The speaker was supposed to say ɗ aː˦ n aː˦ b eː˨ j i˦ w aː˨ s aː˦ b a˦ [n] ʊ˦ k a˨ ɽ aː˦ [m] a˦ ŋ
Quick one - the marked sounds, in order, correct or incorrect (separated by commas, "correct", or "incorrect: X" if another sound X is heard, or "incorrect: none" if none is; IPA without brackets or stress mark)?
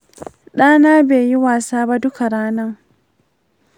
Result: incorrect: d, incorrect: n